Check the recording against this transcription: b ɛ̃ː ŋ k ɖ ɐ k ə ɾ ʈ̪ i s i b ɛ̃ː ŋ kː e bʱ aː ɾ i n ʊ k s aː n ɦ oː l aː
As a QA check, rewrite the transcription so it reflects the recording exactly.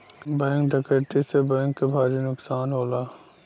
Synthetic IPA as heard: b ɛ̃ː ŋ k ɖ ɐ k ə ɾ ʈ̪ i s e b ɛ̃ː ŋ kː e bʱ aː ɾ i n ʊ k s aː n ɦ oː l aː